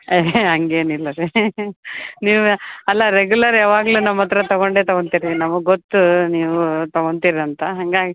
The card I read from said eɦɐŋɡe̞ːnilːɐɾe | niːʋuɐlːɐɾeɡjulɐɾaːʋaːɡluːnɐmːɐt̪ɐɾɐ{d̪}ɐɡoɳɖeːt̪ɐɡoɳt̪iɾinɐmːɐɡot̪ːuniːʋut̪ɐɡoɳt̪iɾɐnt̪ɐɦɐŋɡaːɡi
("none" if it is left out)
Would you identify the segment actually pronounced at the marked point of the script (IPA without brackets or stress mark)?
t̪